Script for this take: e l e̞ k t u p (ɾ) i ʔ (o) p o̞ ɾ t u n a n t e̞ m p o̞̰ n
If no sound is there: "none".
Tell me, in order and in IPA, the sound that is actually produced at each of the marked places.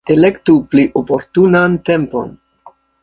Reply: l, o

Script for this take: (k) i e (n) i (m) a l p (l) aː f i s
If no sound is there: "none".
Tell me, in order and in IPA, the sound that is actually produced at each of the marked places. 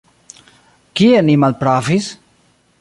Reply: k, n, m, ɾ

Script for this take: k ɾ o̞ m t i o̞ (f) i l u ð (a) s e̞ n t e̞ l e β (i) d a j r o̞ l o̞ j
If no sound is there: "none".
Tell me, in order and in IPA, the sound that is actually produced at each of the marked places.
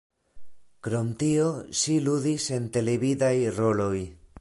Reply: ʃ, i, i

